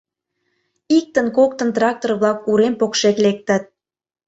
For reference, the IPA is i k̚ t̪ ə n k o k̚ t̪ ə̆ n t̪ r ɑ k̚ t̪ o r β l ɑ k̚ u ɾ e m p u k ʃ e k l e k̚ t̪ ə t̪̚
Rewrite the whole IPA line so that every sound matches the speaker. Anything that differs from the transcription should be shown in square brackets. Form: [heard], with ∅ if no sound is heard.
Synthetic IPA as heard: i k̚ t̪ ə n k o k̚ t̪ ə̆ n t̪ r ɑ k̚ t̪ o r β l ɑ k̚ u ɾ e m p [o] k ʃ e k l e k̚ t̪ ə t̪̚